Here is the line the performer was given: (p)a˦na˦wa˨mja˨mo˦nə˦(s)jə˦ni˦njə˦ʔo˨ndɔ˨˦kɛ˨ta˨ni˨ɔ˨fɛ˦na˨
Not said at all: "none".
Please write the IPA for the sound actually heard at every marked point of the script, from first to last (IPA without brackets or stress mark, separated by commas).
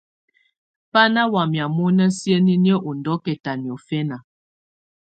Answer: p, s